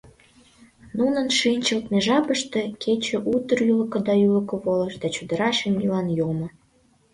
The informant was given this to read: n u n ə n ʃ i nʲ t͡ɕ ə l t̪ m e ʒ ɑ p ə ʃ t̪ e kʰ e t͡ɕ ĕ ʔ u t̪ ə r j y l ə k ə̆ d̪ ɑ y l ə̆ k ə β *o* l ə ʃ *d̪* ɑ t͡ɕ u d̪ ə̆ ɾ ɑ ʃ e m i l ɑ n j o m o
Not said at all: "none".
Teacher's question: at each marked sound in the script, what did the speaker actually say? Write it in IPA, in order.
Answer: o, d̪

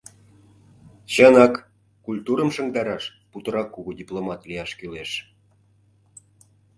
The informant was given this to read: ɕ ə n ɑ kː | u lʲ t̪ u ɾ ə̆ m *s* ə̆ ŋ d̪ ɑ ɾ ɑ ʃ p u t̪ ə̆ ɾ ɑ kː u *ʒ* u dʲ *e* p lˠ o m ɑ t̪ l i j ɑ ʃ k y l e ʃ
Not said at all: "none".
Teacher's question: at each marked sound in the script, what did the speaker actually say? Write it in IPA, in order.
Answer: ʃ, ɣ, i

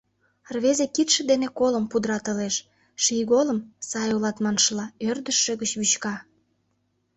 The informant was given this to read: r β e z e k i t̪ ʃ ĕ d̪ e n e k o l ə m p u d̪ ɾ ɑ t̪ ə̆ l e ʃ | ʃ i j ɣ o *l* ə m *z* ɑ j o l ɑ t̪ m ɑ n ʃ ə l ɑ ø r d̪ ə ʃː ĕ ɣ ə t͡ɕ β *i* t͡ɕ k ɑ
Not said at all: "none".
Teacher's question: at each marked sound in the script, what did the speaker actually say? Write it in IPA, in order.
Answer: l, s, y

